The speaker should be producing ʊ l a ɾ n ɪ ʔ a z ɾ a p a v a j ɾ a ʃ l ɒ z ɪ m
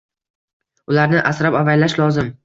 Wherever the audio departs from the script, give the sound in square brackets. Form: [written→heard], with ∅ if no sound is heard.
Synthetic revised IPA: ʊ l a ɾ n ɪ ʔ a [z→s] ɾ a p a v a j [ɾ→l] a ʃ l ɒ z ɪ m